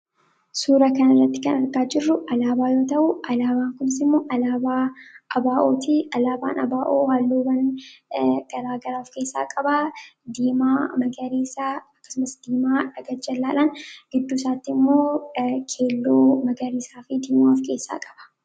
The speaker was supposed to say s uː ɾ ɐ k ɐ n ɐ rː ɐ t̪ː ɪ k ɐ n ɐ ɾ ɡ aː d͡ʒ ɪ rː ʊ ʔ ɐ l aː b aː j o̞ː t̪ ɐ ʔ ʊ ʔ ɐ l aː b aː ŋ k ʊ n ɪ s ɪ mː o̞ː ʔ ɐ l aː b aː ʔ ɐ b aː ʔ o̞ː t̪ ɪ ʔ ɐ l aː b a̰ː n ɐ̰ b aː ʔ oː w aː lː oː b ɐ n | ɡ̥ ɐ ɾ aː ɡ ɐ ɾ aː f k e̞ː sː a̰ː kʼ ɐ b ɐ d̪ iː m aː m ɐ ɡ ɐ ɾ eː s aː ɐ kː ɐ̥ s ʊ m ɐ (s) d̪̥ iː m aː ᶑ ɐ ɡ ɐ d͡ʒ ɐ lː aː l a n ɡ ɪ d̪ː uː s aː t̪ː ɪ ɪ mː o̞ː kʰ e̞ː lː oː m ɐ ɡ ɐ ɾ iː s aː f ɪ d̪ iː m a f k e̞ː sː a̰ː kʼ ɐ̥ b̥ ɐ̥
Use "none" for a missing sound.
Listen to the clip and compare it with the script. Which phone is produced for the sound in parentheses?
s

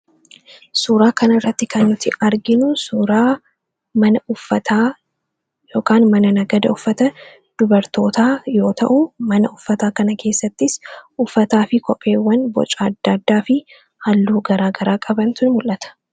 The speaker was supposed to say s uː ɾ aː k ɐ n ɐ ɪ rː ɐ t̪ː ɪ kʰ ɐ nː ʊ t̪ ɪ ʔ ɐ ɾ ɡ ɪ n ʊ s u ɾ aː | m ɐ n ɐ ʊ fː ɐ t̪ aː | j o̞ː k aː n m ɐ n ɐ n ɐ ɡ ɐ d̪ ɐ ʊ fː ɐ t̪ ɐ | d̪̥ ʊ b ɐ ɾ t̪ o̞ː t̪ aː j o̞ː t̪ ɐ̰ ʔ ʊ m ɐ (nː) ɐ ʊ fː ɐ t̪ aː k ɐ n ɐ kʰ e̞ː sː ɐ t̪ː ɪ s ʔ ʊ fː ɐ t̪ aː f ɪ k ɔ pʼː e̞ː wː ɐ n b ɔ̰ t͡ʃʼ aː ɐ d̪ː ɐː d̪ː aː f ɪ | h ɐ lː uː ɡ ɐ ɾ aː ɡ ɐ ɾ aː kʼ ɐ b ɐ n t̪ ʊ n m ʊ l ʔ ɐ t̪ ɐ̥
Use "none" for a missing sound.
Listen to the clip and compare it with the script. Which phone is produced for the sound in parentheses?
n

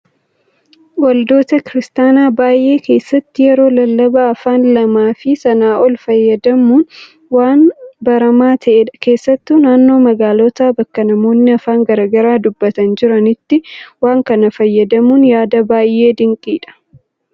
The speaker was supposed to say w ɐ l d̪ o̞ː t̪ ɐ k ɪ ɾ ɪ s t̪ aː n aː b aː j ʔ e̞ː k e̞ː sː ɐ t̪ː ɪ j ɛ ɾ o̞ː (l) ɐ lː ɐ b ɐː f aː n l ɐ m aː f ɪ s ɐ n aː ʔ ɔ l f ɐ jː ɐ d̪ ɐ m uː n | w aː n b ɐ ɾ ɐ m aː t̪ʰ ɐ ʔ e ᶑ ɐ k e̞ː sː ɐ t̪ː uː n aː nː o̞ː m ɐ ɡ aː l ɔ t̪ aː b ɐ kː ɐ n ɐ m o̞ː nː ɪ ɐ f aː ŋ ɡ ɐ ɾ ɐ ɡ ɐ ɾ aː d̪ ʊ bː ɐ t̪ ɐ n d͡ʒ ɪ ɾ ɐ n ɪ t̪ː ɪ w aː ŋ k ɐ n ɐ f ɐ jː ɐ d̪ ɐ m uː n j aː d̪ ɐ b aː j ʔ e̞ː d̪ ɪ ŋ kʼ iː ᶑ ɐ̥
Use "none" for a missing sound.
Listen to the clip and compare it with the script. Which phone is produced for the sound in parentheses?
l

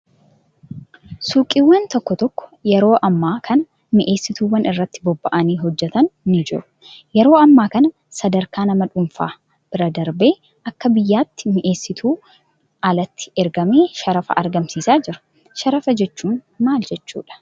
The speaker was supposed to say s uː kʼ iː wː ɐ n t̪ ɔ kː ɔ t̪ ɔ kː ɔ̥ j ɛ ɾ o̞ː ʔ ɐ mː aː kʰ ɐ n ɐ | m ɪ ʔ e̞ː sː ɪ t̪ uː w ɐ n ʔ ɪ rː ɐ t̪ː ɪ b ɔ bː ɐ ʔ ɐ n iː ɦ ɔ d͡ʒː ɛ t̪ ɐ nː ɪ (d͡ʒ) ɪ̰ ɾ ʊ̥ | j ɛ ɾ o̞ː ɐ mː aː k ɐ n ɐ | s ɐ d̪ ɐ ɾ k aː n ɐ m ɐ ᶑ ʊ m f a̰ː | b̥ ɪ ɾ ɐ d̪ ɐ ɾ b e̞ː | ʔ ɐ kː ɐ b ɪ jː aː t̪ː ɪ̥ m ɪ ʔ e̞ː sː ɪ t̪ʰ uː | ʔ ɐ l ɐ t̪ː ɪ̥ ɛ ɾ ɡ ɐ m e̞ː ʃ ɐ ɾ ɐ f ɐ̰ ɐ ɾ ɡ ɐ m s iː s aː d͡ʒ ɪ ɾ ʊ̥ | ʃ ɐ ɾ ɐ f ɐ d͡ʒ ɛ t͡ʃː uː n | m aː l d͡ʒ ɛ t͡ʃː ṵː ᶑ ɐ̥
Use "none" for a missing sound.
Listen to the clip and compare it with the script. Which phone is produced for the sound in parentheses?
d͡ʒ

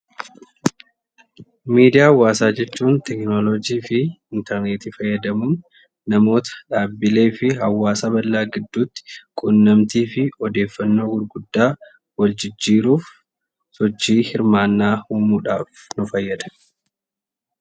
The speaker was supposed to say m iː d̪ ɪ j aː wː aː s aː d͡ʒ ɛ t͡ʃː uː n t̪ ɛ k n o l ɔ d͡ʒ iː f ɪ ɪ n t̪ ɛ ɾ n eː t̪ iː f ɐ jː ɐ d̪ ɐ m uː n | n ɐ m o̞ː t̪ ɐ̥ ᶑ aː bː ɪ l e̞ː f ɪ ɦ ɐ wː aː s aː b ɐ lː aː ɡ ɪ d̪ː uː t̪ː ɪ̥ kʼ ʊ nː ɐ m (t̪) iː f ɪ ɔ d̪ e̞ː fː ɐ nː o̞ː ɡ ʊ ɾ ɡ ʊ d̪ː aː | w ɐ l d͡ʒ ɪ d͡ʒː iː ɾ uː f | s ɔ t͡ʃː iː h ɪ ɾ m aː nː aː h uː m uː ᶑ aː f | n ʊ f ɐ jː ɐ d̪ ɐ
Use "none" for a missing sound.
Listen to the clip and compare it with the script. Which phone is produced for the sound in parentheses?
t̪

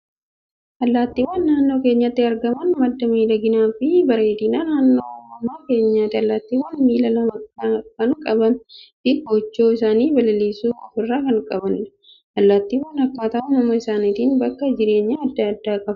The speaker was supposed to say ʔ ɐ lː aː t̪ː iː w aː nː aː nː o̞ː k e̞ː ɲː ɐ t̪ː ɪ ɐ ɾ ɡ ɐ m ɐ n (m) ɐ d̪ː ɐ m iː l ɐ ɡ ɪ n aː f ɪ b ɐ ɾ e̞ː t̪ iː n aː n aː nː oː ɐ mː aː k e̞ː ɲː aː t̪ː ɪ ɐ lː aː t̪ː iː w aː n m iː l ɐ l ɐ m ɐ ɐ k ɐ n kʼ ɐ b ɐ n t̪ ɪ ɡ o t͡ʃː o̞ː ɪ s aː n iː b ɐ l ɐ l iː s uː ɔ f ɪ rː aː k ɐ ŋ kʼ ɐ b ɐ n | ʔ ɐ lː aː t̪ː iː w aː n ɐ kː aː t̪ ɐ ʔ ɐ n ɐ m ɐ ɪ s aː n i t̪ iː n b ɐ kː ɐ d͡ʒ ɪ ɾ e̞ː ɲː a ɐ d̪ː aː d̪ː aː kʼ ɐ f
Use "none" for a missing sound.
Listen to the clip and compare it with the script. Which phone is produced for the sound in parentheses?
m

